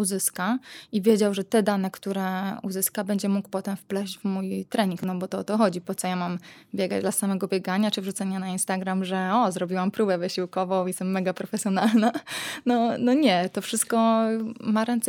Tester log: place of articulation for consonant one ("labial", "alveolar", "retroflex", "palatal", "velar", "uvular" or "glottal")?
alveolar